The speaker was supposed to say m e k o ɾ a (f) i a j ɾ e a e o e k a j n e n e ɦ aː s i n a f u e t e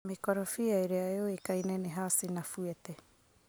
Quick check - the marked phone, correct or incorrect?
correct